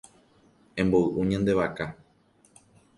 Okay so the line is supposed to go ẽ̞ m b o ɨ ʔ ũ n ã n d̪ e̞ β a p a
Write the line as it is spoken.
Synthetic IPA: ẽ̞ m b o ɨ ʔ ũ ɲ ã n d̪ e̞ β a k a